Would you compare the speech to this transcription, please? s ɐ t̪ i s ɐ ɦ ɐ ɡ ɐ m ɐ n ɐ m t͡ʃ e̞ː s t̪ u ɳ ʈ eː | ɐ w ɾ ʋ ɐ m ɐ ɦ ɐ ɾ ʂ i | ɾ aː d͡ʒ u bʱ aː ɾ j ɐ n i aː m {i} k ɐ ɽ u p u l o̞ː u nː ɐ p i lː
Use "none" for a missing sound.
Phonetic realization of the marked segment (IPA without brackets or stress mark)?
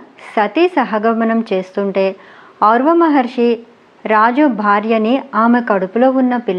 e